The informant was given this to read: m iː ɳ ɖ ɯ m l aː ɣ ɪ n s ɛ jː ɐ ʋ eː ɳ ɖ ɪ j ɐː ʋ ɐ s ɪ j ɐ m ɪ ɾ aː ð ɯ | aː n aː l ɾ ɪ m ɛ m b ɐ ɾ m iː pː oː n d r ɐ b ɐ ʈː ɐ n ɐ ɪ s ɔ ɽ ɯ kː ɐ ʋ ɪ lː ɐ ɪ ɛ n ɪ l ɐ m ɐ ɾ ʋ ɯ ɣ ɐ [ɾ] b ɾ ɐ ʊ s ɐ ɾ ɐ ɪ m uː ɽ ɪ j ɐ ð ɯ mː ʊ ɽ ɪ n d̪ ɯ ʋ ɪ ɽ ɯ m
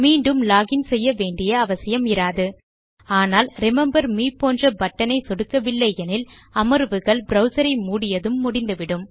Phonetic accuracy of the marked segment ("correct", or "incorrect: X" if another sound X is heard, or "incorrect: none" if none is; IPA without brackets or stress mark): incorrect: ɭ